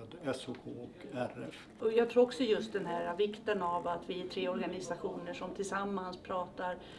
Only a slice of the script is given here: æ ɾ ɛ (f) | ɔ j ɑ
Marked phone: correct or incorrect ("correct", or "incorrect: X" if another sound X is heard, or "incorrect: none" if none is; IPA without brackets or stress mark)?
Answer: correct